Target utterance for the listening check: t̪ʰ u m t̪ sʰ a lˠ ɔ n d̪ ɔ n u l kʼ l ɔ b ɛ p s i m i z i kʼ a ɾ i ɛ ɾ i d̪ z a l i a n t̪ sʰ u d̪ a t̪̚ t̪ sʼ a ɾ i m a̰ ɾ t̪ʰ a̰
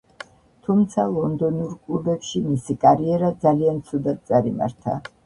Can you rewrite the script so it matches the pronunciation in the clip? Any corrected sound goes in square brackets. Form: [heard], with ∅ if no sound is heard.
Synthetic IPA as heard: t̪ʰ u m t̪ sʰ a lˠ ɔ n d̪ ɔ n u [ɾ] kʼ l [u] b ɛ p [ʃ] i m i [s] i kʼ a ɾ i ɛ ɾ [a] d̪ z a l i a n t̪ sʰ u d̪ a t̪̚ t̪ sʼ a ɾ i m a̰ ɾ t̪ʰ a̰